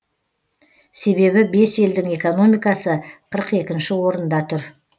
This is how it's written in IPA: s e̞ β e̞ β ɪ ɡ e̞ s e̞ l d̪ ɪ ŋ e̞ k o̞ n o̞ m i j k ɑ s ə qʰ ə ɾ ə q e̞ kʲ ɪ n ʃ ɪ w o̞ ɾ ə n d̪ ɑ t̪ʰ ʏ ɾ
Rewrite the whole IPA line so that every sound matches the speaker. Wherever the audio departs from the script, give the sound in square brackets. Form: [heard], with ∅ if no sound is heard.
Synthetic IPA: s e̞ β e̞ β ɪ [b] e̞ s e̞ l d̪ ɪ ŋ e̞ k o̞ n o̞ m i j k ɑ s ə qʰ ə ɾ ə q e̞ kʲ ɪ n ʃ ɪ w o̞ ɾ ə n d̪ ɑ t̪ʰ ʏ ɾ